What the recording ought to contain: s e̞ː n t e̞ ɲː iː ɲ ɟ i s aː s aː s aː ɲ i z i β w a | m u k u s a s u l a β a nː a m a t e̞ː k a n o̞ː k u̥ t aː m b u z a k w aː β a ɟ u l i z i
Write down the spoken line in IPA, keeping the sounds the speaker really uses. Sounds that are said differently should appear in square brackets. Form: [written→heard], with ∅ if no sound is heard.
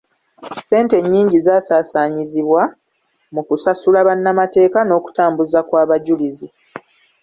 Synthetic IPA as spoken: s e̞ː n t e̞ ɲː iː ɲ ɟ i [s→z] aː s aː s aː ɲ i z i β w a | m u k u s a s u l a β a nː a m a t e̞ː k a n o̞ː k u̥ t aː m b u z a k w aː β a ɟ u l i z i